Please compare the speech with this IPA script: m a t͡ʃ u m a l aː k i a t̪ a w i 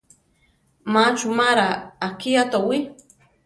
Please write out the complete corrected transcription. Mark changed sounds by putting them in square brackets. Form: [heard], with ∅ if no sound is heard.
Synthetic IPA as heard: m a t͡ʃ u m a [ɾ] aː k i a t̪ a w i